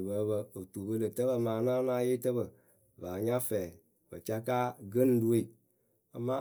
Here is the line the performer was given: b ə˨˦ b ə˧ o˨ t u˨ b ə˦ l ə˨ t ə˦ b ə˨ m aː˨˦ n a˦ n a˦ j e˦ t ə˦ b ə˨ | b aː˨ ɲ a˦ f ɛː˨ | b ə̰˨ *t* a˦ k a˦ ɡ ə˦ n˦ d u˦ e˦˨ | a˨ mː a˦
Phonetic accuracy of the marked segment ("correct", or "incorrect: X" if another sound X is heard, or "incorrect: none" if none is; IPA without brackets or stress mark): incorrect: t͡ʃ